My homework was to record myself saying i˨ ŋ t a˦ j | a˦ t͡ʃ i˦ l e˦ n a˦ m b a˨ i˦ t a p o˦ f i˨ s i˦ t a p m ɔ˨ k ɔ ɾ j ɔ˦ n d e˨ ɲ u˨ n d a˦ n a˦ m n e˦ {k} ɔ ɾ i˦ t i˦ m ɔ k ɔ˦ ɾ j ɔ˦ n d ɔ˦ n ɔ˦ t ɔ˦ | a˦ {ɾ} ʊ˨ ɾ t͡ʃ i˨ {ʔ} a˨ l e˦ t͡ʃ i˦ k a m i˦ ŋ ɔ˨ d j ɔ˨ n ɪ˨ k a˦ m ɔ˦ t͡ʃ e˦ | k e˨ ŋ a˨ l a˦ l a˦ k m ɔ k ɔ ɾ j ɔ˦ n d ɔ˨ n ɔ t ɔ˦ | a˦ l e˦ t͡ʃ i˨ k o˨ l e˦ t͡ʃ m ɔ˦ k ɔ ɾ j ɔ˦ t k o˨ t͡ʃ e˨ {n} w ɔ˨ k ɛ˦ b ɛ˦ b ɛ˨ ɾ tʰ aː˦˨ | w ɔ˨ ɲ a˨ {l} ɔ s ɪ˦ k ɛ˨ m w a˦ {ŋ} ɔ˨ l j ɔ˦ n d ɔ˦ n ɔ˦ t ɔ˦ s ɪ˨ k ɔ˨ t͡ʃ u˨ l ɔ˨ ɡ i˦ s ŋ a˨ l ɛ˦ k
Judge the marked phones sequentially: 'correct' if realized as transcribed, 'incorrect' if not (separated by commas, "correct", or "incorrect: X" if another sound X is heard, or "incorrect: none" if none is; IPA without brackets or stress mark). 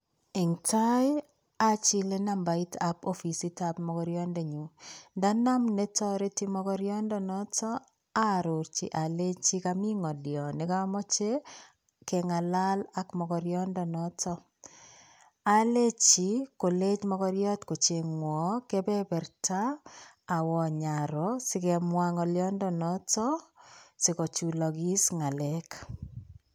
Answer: incorrect: t, correct, correct, incorrect: ŋ, incorrect: ɾ, correct